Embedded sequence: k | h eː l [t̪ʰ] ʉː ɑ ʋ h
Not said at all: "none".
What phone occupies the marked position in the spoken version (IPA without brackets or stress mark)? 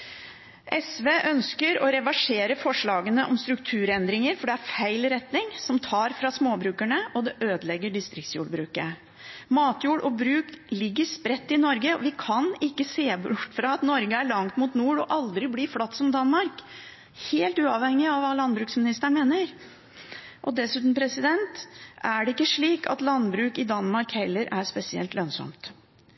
t̪